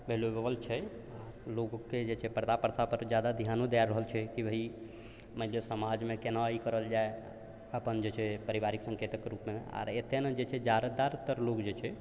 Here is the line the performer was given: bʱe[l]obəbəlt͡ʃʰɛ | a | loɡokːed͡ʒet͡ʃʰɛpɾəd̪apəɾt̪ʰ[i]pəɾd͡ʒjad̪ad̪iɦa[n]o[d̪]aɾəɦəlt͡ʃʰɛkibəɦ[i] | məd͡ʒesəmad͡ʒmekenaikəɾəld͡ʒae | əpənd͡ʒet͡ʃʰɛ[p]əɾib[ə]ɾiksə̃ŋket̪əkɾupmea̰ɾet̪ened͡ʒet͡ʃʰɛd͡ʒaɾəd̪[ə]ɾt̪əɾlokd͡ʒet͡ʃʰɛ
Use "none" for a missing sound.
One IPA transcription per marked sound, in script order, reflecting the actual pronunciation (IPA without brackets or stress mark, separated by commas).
l, a, n, d̪, i, p, a, a